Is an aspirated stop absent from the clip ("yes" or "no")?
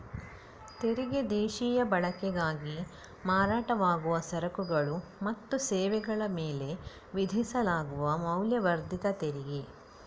yes